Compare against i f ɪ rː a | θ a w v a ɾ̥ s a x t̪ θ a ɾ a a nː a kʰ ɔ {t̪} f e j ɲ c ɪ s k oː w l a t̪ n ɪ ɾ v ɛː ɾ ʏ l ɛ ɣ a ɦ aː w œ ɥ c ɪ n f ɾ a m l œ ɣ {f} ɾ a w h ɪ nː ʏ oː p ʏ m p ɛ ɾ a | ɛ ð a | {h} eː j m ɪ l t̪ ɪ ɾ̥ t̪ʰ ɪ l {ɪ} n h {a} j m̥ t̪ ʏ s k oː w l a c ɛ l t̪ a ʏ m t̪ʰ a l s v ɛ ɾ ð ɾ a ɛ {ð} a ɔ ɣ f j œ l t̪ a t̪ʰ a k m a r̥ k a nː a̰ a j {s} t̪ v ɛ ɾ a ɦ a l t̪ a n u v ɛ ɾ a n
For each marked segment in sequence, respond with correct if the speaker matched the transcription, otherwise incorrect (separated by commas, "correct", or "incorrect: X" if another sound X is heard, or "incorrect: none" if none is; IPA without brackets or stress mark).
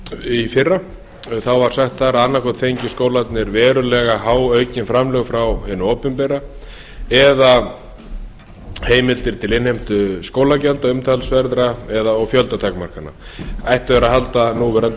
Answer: correct, correct, correct, correct, incorrect: e, correct, incorrect: h